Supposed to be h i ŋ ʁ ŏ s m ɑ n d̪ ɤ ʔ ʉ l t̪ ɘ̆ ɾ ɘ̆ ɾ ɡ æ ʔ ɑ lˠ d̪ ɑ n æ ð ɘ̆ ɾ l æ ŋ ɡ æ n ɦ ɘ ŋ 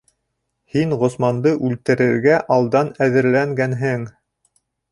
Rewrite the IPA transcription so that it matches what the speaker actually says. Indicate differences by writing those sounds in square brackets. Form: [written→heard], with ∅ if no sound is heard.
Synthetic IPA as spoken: h i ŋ ʁ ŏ s m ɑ n d̪ ɤ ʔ ʉ l t̪ ɘ̆ ɾ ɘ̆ ɾ ɡ æ ʔ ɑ lˠ d̪ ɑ n æ ð ɘ̆ ɾ l æ ŋ ɡ æ n ɦ ɘ ŋ